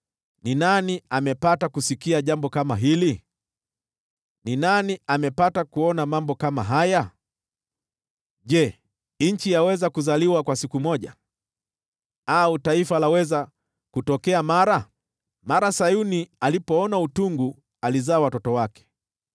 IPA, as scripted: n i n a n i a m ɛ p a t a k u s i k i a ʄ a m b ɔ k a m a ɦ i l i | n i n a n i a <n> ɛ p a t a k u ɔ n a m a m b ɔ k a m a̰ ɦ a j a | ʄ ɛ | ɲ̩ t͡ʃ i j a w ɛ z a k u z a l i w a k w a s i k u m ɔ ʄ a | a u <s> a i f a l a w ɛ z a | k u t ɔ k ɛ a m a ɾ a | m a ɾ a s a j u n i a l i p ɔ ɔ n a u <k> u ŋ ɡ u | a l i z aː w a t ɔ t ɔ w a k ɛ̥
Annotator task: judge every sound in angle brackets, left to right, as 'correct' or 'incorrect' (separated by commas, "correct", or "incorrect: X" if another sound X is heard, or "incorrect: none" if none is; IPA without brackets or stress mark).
incorrect: m, incorrect: t, incorrect: t